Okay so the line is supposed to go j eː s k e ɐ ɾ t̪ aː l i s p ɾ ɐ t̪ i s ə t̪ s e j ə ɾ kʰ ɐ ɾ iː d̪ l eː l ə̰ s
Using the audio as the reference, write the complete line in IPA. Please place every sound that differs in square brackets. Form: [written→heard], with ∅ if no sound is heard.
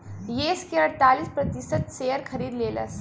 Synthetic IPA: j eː s k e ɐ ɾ t̪ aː l i s p ɾ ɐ t̪ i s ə t̪ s e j ə ɾ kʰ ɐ ɾ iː d̪ l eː l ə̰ s